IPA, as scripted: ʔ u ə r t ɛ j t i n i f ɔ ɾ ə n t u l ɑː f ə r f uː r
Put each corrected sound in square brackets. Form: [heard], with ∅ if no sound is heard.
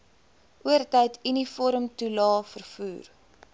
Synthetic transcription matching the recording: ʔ u ə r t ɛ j t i n i f ɔ ɾ ə [m] t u l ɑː f ə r f uː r